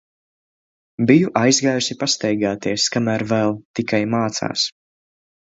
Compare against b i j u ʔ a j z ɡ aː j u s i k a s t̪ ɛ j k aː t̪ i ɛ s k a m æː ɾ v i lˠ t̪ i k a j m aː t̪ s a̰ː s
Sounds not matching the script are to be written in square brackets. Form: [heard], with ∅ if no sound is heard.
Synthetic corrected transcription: b i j u ʔ a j z ɡ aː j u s i [p] a s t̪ ɛ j [ɡ] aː t̪ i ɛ s k a m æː ɾ v [ɛ] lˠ t̪ i k a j m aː t̪ s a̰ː s